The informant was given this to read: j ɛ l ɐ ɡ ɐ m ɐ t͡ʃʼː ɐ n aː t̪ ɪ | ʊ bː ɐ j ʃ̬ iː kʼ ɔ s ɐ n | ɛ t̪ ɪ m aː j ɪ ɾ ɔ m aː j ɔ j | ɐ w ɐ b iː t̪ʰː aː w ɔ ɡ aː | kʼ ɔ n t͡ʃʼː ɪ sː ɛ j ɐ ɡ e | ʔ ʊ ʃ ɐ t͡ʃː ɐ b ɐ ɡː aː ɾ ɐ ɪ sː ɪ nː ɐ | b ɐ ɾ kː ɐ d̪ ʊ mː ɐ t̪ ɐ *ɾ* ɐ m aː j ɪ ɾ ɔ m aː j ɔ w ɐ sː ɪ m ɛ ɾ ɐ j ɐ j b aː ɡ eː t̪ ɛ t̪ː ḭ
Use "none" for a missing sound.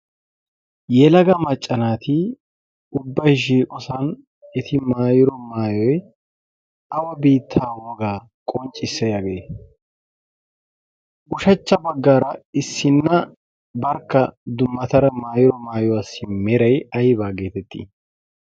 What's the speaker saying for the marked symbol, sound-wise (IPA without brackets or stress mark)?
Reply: ɾ